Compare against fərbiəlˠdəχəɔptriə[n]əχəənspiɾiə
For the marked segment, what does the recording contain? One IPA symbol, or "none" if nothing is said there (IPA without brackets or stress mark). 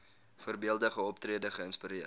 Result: d